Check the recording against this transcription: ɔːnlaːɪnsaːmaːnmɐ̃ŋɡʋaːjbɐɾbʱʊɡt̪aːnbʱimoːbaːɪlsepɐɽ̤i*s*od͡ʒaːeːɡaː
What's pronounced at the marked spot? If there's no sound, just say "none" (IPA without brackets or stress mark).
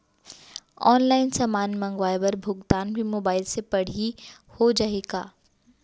h